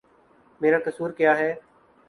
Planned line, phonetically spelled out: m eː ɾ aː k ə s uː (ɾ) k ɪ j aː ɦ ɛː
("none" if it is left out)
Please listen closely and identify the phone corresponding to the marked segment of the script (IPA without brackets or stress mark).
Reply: ɾ